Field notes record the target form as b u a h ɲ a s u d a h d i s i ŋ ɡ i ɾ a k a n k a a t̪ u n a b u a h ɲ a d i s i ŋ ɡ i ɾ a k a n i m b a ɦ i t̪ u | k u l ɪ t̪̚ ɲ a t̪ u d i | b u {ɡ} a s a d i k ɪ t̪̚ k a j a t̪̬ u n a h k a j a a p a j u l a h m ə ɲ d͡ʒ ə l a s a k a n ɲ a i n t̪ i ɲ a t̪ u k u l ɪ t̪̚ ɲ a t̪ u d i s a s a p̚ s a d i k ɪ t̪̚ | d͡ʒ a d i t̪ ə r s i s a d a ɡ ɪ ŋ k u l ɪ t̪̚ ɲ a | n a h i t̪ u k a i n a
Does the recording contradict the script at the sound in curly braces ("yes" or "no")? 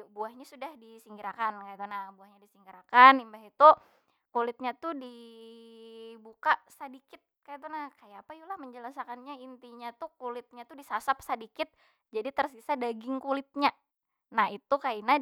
yes